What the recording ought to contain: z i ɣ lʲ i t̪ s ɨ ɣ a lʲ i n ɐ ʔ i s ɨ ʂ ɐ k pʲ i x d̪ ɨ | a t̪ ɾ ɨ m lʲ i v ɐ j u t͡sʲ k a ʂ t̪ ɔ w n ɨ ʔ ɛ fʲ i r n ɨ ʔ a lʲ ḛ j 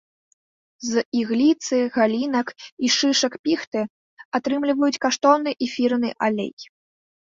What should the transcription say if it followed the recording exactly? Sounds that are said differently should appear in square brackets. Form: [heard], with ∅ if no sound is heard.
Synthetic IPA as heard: z i ɣ lʲ i t̪ s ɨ ɣ a lʲ i n ɐ [k] i [ʂ] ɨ ʂ ɐ k pʲ i x [t̪] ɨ | a t̪ ɾ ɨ m lʲ i v ɐ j u t͡sʲ k a ʂ t̪ ɔ w n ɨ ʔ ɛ fʲ i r n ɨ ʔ a lʲ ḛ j